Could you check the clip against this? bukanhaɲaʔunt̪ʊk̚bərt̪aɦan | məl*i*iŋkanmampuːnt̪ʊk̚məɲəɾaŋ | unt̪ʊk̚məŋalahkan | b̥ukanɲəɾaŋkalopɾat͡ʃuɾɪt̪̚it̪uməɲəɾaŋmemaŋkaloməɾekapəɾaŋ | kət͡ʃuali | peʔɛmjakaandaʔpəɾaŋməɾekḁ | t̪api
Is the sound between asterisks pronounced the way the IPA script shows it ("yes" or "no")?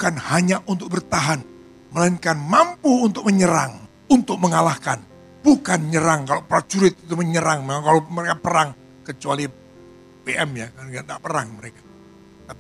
no